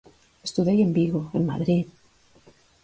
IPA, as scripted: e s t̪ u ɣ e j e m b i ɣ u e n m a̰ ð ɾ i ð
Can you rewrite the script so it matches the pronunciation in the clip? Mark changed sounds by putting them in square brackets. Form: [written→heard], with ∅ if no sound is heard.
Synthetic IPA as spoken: e s t̪ u [ɣ→ð] e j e m b i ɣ [u→o] e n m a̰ ð ɾ i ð